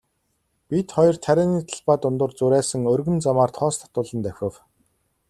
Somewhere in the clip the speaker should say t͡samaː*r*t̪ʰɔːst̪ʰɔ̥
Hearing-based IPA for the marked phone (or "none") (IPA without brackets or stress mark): r